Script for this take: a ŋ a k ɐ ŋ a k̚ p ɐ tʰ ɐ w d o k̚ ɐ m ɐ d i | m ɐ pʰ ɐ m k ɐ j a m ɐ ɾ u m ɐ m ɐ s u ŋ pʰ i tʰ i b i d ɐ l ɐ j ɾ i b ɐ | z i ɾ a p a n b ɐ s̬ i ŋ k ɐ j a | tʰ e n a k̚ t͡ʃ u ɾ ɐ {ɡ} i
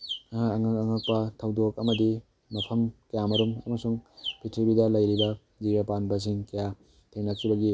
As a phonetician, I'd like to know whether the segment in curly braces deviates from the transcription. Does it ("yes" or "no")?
no